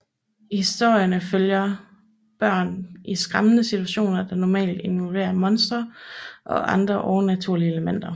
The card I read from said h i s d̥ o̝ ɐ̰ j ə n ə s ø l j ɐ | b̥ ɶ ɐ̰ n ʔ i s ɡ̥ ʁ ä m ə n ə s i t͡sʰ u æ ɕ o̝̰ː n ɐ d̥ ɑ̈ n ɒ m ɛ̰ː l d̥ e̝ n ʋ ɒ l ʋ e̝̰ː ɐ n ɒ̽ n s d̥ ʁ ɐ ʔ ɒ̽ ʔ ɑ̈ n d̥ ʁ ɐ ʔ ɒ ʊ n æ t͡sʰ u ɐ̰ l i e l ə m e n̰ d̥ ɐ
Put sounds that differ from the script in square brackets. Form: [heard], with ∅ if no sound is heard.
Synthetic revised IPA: h i s d̥ o̝ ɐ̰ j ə n ə [f] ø l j ɐ | b̥ ɶ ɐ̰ n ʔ i s ɡ̥ ʁ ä m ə n ə s i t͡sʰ u æ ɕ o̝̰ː n ɐ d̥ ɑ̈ n ɒ m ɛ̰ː l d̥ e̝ n ʋ ɒ l ʋ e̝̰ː ɐ [m] ɒ̽ n s d̥ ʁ ɐ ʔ ɒ̽ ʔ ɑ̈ n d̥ ʁ ɐ ʔ ɒ ʊ n æ t͡sʰ u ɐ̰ l i e l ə m e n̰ d̥ ɐ

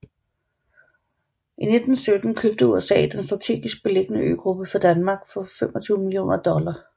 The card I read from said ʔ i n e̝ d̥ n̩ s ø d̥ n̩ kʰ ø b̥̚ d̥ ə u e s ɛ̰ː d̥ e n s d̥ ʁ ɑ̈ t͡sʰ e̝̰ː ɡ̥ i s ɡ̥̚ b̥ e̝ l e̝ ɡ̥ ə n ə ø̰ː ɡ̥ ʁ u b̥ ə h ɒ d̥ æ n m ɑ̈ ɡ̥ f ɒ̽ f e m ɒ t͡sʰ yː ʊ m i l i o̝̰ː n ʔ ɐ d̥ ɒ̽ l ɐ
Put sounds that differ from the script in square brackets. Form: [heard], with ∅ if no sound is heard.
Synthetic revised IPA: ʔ i n e̝ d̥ n̩ s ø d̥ n̩ kʰ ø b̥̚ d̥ ə u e s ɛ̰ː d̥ e n s d̥ ʁ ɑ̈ t͡sʰ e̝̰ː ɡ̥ i s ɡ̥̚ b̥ e̝ l e̝ ɡ̥ ə n ə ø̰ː ɡ̥ ʁ u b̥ ə [f] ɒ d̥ æ n m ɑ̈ ɡ̥ f ɒ̽ f e m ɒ t͡sʰ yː ʊ m i l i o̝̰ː n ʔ ɐ d̥ ɒ̽ l ɐ

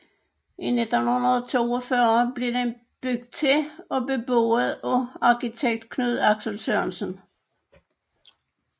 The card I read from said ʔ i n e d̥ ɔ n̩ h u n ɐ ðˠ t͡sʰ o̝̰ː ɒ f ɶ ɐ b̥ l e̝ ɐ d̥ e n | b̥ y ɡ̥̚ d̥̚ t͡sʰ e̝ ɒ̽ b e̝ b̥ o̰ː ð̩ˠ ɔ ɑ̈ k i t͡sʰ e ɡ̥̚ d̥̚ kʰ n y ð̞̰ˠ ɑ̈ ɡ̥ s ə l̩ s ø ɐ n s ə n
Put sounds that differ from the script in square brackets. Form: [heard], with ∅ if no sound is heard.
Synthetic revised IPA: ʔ i n e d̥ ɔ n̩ h u n ɐ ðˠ t͡sʰ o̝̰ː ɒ f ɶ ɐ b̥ l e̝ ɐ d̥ e n | b̥ y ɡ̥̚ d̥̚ t͡sʰ e̝ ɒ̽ b e̝ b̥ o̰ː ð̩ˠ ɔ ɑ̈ k i t͡sʰ e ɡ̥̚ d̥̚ kʰ n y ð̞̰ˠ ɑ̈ ɡ̥ s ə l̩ s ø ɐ n s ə n

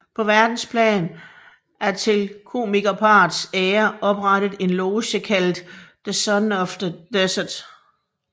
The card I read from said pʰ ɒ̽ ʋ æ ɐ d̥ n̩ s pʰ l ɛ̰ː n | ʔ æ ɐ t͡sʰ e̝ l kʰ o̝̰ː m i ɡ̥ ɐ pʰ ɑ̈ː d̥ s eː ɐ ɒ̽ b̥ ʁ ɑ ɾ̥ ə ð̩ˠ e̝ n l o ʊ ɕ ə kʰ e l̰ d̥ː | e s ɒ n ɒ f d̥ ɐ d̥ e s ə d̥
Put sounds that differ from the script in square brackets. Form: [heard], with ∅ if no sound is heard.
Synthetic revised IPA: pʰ ɒ̽ ʋ æ ɐ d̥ n̩ s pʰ l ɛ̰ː n | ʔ æ ɐ t͡sʰ e̝ l kʰ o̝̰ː m i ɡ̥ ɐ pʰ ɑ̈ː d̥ s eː ɐ ɒ̽ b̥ ʁ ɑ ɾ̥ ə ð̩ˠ e̝ n l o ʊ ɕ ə kʰ [æ] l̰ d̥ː | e s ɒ n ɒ f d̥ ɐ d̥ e s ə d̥

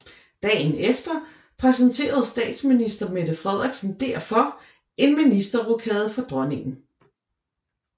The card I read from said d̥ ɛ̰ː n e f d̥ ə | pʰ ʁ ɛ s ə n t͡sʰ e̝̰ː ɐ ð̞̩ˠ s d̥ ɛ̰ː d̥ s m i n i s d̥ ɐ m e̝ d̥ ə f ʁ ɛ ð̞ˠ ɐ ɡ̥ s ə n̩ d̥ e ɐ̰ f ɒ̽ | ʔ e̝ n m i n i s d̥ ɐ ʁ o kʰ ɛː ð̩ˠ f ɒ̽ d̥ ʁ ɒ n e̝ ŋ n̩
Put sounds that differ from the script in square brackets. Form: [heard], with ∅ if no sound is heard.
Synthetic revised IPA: d̥ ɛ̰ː n e f d̥ [ɐ] | pʰ ʁ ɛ s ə n t͡sʰ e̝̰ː ɐ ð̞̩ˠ s d̥ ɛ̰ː d̥ s m i n i s d̥ ɐ m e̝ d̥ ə f ʁ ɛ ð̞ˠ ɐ ɡ̥ s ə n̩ d̥ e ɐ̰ f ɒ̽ | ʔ e̝ n m i n i s d̥ ɐ ʁ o kʰ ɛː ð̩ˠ f ɒ̽ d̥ ʁ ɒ n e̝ ŋ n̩

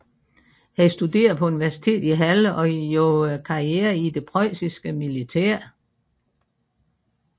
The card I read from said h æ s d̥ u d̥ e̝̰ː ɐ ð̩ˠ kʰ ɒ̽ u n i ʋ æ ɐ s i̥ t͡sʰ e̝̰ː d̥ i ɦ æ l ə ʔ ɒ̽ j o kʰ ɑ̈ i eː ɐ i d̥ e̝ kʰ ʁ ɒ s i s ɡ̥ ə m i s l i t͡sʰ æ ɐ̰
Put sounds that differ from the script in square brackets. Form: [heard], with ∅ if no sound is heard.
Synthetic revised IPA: h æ s d̥ u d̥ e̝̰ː ɐ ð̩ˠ [pʰ] ɒ̽ u n i ʋ æ ɐ s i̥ t͡sʰ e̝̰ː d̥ i ɦ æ l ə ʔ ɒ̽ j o kʰ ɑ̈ i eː ɐ i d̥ e̝ [pʰ] ʁ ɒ s i s ɡ̥ ə m i [∅] l i t͡sʰ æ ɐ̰

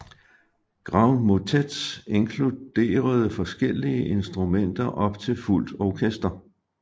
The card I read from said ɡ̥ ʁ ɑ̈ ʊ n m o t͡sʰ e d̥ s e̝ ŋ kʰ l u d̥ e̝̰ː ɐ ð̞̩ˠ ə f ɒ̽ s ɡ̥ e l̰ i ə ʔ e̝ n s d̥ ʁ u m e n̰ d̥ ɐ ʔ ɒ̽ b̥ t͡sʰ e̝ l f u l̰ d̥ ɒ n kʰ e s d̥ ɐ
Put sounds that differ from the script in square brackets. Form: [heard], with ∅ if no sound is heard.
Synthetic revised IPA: ɡ̥ ʁ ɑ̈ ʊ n m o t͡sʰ e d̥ s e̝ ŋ kʰ l u d̥ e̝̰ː ɐ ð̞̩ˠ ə f ɒ̽ s ɡ̥ e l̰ i ə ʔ e̝ n s d̥ ʁ u m e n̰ d̥ ɐ ʔ ɒ̽ b̥ t͡sʰ e̝ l f u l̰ d̥ ɒ [∅] kʰ e s d̥ ɐ

